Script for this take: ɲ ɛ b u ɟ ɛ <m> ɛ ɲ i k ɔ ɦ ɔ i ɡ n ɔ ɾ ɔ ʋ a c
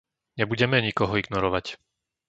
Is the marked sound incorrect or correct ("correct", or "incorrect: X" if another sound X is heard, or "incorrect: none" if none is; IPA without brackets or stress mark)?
correct